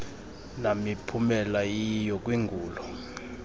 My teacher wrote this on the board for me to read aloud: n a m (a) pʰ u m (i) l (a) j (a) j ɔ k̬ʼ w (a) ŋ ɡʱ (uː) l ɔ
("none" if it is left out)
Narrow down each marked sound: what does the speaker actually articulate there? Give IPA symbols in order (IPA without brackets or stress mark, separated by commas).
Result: i, ɛ, a, i, i, uː